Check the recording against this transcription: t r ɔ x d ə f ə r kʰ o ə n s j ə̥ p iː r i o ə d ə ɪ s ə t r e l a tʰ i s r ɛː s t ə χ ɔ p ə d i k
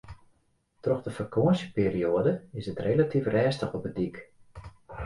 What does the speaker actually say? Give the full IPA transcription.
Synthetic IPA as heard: t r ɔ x d ə f ə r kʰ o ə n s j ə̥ p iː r i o ə d ə ɪ s ə t r e l a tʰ i f r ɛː s t ə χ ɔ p ə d i k